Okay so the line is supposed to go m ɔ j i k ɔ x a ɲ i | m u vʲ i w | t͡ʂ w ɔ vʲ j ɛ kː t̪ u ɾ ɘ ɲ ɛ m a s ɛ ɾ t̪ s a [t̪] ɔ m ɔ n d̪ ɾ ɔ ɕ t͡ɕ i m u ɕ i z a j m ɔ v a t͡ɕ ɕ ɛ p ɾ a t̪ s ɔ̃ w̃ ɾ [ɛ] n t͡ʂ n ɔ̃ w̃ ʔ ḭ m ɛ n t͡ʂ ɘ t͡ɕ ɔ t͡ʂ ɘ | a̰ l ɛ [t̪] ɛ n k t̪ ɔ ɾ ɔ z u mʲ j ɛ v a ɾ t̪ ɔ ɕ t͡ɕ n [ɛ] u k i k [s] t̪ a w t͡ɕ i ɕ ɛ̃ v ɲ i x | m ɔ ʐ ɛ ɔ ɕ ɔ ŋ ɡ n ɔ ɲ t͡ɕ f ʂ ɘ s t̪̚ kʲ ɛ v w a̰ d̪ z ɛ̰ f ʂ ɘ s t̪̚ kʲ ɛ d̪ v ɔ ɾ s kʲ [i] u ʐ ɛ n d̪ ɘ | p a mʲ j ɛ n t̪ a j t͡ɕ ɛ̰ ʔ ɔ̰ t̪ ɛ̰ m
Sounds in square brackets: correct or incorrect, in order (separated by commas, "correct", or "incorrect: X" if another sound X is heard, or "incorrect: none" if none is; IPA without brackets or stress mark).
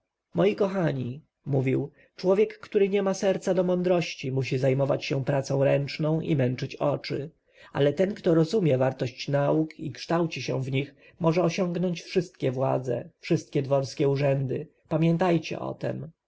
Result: incorrect: d̪, correct, correct, incorrect: a, incorrect: ʂ, incorrect: ɛ